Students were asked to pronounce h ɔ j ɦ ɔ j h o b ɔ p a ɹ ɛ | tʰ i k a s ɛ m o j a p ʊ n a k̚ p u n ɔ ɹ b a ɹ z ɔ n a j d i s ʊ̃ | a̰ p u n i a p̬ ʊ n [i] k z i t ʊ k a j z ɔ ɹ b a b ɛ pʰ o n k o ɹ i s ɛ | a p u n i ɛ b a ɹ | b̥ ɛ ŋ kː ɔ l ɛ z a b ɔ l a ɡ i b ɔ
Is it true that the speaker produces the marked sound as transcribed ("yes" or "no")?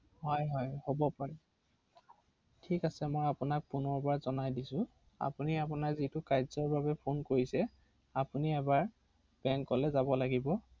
no